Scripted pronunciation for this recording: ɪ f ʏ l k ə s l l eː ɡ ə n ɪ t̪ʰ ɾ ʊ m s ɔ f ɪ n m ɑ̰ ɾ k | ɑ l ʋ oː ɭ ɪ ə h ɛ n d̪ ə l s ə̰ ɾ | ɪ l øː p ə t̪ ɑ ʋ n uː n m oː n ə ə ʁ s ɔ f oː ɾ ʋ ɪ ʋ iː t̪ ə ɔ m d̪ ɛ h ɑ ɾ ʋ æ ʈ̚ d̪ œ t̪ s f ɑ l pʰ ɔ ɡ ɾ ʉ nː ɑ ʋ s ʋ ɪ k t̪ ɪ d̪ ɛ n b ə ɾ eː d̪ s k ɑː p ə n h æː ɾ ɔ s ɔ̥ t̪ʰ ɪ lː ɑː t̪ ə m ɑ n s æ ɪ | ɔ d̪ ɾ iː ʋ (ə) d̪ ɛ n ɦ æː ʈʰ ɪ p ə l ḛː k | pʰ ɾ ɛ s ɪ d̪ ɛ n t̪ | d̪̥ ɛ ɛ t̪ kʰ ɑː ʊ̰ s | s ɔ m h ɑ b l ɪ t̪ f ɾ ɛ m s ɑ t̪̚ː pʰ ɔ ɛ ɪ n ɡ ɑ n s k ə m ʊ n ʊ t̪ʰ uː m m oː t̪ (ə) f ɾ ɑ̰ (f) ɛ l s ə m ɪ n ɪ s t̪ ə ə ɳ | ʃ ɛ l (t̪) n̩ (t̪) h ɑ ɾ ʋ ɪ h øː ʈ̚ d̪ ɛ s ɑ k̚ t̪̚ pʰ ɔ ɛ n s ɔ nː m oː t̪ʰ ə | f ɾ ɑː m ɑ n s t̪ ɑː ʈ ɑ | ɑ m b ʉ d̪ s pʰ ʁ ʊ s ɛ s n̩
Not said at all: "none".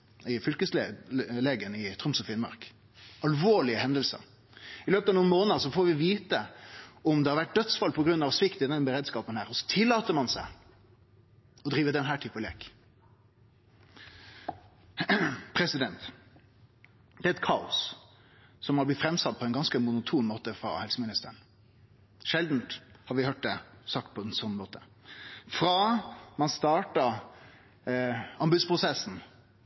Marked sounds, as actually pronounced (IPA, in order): ə, ə, h, d̪, t̪

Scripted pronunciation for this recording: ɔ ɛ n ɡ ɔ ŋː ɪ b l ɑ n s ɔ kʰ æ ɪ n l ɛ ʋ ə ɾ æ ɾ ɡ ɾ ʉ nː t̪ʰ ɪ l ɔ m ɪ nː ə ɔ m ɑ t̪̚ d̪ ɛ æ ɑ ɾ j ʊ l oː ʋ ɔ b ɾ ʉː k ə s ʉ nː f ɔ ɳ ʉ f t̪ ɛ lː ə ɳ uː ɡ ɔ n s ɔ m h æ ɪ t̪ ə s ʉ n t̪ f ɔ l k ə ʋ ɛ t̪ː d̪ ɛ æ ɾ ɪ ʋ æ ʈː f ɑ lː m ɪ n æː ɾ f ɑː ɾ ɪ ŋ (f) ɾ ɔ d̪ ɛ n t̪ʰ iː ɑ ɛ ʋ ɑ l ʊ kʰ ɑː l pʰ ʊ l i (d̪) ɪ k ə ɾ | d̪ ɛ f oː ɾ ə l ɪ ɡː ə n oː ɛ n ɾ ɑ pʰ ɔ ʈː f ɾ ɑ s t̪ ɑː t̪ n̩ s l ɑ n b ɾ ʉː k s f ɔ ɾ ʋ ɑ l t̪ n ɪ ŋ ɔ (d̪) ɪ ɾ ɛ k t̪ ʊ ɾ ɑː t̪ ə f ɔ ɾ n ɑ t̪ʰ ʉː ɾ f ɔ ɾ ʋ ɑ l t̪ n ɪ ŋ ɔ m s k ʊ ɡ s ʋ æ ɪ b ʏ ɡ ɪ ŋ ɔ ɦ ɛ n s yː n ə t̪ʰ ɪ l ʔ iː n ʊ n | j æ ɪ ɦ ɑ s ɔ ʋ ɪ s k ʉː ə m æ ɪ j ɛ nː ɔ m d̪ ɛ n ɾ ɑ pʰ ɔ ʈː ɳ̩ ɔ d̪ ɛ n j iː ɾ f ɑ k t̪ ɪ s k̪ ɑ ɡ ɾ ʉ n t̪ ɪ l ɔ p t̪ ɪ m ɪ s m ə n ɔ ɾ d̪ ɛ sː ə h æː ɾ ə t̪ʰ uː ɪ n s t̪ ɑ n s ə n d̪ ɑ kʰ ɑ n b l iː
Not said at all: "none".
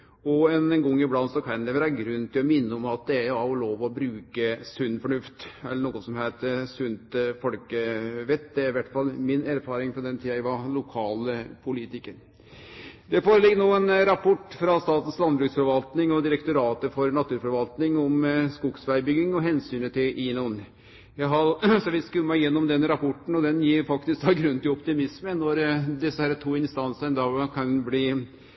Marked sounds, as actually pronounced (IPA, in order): f, t̪, d̪

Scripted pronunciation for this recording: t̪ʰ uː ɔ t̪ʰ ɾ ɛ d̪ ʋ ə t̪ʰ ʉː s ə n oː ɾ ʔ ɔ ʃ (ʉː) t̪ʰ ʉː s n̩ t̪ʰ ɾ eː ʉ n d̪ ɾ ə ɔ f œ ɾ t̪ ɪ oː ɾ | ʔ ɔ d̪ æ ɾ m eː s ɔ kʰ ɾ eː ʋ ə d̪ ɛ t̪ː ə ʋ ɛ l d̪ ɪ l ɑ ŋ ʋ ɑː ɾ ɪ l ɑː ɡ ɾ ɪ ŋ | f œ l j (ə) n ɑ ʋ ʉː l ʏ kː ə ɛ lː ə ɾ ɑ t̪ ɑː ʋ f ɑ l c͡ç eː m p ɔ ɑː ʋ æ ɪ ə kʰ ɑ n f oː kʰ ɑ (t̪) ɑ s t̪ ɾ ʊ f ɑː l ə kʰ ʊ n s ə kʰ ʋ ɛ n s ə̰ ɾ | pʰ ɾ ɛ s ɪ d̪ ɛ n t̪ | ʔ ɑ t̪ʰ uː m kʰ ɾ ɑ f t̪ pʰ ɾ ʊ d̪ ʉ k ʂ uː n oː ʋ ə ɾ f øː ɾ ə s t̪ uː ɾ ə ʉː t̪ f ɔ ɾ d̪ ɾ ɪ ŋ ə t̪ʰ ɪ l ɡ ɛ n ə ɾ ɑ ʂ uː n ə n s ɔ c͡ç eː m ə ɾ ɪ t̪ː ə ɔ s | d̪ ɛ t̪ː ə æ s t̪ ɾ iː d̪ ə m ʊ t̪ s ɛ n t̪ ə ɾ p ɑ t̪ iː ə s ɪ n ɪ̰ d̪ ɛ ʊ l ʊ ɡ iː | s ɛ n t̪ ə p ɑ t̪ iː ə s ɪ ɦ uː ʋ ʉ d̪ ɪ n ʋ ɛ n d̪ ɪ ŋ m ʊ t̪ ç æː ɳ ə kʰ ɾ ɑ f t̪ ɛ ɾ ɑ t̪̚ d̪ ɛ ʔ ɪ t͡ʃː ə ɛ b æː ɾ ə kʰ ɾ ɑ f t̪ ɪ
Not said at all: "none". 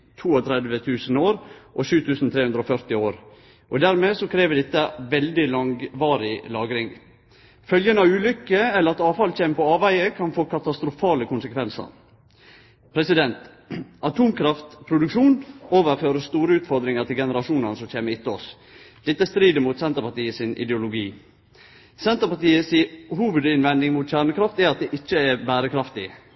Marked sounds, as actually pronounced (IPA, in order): ʉː, ə, t̪

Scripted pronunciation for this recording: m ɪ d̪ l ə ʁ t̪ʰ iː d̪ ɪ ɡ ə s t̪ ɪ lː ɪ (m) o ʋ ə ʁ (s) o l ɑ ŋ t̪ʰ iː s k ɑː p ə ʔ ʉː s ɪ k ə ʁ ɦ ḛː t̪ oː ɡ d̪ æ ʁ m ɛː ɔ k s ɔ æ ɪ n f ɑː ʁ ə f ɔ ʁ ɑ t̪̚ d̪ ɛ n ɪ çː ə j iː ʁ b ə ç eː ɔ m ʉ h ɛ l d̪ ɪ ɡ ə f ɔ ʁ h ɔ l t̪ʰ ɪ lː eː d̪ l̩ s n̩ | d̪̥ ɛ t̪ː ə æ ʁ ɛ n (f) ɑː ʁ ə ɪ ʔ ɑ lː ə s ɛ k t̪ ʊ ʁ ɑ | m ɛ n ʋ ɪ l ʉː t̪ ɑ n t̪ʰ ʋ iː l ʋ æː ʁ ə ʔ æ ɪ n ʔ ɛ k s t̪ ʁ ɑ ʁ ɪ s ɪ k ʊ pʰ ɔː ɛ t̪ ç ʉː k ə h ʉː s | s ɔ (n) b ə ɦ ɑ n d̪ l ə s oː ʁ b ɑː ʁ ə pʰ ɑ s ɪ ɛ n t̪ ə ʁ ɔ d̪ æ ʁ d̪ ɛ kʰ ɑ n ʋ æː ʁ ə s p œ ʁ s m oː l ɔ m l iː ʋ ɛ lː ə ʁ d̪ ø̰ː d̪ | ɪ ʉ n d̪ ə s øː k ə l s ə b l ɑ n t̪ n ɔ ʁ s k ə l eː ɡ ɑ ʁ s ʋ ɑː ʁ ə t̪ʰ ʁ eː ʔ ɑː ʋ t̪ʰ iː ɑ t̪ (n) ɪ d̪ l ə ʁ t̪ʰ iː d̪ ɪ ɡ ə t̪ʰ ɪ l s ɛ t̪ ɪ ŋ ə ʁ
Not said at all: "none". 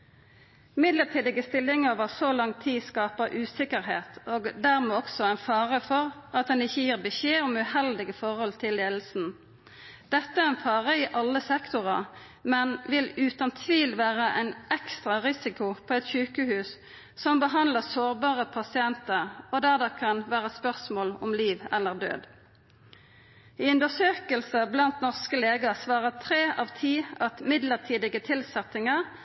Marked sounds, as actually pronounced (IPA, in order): ŋ, s, f, m, m

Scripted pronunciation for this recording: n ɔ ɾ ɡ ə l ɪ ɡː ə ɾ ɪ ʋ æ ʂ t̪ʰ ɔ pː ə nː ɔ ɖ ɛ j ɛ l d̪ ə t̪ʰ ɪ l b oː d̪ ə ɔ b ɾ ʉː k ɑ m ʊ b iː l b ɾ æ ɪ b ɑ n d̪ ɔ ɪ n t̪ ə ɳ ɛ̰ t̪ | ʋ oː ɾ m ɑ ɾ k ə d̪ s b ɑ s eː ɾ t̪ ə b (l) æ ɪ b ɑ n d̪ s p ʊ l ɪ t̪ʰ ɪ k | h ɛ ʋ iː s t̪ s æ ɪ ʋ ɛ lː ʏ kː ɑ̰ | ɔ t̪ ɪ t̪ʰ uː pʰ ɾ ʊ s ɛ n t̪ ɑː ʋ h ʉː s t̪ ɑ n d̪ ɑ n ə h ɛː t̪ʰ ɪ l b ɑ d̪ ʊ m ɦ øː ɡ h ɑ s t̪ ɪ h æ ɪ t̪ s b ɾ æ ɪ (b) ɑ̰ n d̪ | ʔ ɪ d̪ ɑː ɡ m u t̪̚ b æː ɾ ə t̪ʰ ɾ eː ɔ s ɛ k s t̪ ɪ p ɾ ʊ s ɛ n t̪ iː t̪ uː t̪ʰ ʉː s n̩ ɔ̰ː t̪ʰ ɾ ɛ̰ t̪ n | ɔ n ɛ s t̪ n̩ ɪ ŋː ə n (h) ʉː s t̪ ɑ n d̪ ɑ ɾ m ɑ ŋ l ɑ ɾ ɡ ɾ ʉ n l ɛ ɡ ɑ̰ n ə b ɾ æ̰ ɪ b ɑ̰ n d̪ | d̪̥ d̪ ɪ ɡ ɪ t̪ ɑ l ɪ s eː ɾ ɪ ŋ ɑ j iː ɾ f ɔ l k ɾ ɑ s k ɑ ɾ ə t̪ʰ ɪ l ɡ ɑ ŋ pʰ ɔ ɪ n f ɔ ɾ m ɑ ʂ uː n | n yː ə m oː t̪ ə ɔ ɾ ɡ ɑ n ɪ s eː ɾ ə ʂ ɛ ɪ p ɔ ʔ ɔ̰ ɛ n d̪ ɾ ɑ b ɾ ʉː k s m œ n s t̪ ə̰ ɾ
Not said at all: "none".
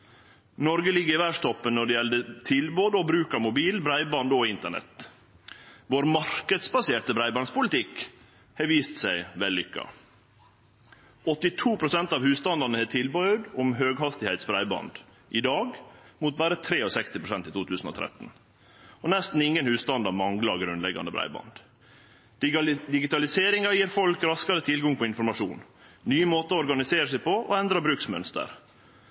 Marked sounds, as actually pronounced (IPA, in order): ɾ, b, h

